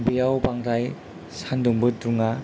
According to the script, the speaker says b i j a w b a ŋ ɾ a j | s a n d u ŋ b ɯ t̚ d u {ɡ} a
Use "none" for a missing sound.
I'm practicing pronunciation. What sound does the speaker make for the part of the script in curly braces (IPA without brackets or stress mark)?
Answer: ŋ